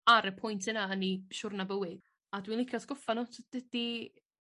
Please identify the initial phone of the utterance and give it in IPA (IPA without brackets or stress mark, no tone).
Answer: a